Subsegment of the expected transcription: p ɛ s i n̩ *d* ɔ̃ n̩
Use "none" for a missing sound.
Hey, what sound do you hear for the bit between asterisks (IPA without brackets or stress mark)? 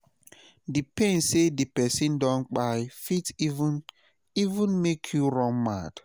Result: d